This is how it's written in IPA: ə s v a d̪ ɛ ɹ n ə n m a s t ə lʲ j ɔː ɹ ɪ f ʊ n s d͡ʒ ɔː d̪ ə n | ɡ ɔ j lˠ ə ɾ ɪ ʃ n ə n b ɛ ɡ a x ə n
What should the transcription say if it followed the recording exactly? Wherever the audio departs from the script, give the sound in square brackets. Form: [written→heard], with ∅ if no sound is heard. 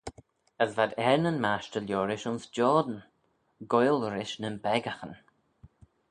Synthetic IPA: ə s v a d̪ ɛ ɹ n ə n m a [s→ʃ] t ə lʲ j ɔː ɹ ɪ [f→ʃ] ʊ n s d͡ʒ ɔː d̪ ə n | ɡ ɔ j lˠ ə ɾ ɪ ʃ n ə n b ɛ ɡ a x ə n